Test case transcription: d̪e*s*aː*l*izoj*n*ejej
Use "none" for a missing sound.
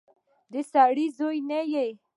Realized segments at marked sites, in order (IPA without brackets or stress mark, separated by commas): s, ɽ, n